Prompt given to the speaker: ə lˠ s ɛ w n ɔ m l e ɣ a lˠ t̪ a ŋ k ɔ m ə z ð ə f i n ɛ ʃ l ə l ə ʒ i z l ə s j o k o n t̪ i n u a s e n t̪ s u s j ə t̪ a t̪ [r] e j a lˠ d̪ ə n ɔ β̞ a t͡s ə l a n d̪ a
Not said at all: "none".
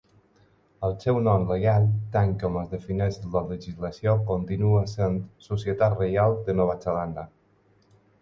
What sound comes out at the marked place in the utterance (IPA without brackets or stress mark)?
r